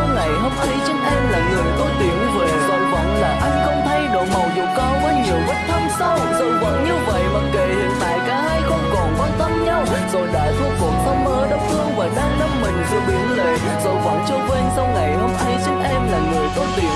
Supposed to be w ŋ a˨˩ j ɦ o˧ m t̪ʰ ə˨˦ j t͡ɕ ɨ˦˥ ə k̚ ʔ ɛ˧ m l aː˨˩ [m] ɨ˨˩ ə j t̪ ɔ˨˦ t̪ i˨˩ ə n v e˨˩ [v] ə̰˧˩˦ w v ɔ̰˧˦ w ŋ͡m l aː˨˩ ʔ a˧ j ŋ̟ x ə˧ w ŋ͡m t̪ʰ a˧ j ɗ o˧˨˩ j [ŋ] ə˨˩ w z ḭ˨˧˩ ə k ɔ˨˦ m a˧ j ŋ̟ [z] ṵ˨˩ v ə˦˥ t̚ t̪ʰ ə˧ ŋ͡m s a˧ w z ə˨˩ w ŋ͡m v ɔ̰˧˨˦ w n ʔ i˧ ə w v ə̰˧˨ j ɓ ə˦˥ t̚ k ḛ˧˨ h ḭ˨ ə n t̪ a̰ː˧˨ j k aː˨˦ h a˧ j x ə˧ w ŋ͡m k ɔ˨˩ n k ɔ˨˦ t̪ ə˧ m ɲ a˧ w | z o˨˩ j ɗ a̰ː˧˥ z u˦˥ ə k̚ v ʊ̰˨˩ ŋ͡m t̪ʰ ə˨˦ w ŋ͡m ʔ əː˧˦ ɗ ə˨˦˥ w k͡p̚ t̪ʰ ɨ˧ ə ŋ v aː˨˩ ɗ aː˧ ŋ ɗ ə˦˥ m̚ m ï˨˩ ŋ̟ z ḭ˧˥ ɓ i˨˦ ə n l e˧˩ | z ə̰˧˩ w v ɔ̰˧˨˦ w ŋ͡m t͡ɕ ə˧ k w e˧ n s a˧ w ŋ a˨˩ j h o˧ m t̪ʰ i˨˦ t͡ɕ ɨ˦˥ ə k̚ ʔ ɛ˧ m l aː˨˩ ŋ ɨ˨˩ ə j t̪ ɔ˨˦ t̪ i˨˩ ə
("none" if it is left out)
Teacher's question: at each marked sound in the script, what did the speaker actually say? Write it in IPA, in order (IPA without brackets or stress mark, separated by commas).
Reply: ŋ, z, m, z